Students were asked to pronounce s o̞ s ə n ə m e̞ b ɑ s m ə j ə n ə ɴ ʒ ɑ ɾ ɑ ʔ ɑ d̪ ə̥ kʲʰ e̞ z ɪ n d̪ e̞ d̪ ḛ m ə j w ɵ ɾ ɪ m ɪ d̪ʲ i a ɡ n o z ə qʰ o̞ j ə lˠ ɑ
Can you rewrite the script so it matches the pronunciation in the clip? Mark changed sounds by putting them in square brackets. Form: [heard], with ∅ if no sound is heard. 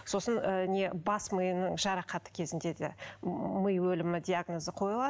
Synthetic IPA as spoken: s o̞ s ə n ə [n] e̞ b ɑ s m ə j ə n ə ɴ ʒ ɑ ɾ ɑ [q] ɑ [t̪] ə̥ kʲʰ e̞ z ɪ n d̪ e̞ d̪ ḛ m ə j w ɵ [l] ɪ m ɪ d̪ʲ i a ɡ n o z ə qʰ o̞ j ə lˠ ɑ